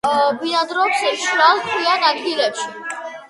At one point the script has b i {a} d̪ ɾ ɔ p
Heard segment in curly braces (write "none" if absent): a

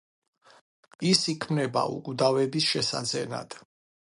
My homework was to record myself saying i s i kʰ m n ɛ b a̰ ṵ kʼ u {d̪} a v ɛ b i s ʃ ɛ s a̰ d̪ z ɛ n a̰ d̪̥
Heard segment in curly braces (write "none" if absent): d̪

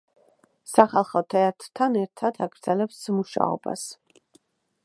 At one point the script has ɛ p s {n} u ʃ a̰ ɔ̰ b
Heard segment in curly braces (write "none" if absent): m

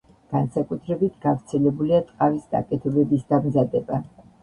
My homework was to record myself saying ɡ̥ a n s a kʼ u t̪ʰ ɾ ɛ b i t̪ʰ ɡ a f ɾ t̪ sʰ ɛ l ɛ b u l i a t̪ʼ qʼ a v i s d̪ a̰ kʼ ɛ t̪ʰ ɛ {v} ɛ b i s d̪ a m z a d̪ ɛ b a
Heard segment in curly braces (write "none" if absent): b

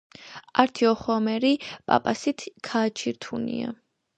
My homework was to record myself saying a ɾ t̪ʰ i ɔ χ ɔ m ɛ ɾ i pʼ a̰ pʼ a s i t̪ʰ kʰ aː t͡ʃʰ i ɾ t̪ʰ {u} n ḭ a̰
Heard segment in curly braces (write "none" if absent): u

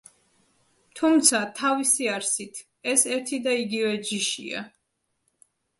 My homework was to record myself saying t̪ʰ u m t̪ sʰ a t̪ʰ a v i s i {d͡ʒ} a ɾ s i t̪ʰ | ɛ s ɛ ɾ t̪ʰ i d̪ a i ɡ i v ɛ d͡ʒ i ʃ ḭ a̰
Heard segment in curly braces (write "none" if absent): none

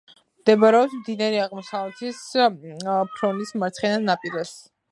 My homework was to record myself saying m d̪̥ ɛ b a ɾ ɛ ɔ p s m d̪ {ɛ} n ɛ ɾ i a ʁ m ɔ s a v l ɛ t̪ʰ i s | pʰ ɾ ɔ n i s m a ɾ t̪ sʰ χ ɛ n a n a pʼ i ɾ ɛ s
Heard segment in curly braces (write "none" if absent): i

